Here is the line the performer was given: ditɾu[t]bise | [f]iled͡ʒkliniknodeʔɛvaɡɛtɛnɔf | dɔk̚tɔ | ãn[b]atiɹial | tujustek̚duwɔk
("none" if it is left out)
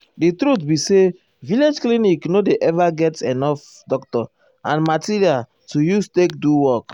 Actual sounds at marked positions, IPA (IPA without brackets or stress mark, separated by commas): t, v, m